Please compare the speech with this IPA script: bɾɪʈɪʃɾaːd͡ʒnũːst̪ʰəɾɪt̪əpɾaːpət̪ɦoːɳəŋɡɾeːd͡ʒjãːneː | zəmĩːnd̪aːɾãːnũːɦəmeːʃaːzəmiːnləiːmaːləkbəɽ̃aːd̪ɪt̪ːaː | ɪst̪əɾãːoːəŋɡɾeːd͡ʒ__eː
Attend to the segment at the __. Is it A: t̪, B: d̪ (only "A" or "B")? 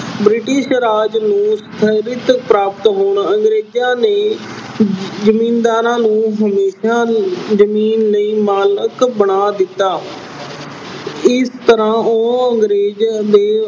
B